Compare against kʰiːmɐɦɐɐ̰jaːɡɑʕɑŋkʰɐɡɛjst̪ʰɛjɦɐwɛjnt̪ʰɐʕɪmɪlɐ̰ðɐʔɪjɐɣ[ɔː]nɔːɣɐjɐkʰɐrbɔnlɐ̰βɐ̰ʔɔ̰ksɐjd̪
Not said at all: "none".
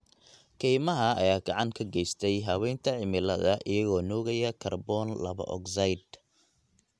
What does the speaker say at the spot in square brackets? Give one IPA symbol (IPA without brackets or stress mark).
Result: ɔː